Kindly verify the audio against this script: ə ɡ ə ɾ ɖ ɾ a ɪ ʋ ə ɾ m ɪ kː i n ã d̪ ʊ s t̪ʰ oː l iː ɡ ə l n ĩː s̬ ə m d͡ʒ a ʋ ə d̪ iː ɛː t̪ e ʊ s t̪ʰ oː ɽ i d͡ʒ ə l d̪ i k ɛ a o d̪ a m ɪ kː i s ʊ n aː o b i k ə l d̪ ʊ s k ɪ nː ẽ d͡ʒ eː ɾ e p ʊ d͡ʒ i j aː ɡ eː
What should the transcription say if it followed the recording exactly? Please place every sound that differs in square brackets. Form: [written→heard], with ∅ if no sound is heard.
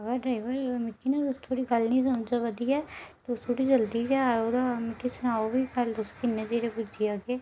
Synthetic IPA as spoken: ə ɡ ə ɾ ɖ ɾ a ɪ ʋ ə ɾ m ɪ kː i n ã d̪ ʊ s t̪ʰ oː [l→ɽ] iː ɡ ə l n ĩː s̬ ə m d͡ʒ a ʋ ə d̪ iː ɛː t̪ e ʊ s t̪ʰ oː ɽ i d͡ʒ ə l d̪ i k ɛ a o d̪ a m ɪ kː i s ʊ n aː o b i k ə l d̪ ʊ s k ɪ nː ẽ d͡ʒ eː ɾ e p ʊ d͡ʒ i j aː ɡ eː